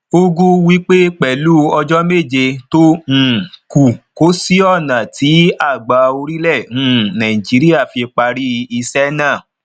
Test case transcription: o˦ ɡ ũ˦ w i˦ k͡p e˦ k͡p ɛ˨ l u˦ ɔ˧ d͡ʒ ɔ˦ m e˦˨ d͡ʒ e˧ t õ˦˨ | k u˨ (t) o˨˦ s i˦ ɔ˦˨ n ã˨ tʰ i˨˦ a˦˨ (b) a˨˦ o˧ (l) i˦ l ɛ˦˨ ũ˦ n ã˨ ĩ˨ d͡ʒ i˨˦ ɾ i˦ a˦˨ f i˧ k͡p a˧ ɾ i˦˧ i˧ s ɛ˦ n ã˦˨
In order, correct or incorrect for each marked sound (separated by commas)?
incorrect, incorrect, incorrect